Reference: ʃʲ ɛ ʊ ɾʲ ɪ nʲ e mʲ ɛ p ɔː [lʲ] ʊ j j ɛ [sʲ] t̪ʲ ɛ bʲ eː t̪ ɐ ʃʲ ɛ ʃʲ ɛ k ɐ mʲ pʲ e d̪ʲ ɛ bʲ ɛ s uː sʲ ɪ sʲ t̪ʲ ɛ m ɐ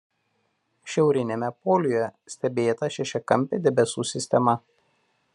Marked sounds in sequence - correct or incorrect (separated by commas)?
correct, correct